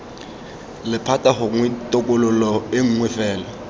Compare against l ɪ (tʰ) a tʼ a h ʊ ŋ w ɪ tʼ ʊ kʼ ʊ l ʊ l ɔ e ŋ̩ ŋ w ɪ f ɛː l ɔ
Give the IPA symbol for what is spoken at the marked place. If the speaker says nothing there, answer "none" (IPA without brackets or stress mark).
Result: pʰ